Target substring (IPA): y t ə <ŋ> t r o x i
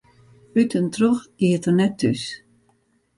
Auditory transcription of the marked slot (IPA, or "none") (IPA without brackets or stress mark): n